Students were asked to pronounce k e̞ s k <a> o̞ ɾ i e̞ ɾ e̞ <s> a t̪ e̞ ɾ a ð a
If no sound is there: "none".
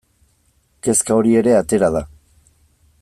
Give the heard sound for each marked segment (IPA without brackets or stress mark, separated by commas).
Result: a, none